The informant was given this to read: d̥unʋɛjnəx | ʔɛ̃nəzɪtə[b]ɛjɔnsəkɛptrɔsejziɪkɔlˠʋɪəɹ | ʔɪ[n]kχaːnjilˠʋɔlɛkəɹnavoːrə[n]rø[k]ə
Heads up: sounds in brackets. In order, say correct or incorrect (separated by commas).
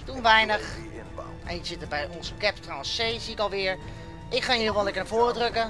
correct, incorrect, incorrect, correct